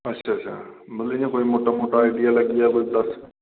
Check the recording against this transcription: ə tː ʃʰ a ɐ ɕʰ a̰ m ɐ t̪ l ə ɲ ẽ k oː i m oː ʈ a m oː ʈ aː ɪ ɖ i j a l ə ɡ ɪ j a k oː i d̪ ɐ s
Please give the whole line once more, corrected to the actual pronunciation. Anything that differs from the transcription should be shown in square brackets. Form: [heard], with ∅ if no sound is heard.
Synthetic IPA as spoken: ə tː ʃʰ a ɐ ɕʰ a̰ m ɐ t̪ l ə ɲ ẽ k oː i m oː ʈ a m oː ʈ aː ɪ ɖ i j a l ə ɡ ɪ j a k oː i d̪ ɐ s